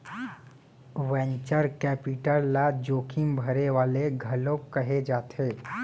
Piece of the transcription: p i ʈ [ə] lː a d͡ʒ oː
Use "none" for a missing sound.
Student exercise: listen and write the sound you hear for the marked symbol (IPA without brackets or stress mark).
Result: ə